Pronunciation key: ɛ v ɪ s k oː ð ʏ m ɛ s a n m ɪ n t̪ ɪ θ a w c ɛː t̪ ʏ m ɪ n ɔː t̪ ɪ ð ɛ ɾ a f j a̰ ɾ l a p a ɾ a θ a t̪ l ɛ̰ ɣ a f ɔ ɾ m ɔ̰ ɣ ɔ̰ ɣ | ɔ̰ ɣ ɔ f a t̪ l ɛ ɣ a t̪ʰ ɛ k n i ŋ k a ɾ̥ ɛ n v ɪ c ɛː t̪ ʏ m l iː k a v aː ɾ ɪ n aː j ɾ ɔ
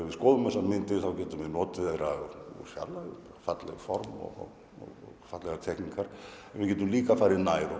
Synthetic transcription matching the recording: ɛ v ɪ s k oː ð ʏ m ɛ s a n m ɪ n t̪ ɪ θ a w c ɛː t̪ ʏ m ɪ n ɔː t̪ ɪ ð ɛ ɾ a f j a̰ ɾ l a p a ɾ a f a t̪ l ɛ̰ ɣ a f ɔ ɾ m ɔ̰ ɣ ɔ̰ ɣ | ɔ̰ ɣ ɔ f a t̪ l ɛ ɣ a t̪ʰ ɛ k n i ŋ k a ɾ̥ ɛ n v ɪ c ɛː t̪ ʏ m l iː k a f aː ɾ ɪ n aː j ɾ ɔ